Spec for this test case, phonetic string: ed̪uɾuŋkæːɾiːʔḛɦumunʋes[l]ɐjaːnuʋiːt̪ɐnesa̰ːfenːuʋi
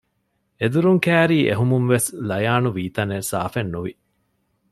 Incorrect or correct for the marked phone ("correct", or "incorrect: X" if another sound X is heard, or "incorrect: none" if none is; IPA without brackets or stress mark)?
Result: correct